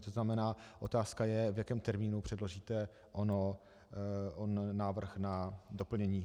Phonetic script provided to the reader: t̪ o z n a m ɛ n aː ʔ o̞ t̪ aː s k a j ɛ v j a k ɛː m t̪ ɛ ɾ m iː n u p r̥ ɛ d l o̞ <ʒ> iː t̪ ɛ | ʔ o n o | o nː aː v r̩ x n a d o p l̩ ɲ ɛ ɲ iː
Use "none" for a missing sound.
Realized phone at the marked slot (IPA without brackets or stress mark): ʒ